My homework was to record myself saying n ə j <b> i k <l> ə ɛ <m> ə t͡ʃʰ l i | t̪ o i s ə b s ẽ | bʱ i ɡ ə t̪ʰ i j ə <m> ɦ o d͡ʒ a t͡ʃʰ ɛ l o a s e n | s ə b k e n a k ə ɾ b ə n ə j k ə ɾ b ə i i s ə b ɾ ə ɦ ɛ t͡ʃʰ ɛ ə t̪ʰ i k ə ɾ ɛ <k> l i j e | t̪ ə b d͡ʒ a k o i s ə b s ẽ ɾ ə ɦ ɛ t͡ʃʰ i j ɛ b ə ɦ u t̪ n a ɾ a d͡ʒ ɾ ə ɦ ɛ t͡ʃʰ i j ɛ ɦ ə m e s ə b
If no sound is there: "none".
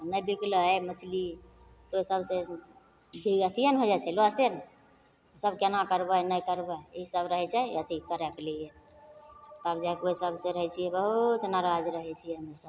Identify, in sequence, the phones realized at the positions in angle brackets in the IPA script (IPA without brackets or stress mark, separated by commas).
b, l, m, n, k